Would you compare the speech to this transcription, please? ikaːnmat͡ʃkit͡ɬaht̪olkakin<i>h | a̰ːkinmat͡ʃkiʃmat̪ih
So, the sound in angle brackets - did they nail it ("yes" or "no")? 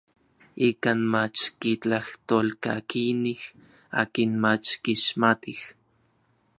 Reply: yes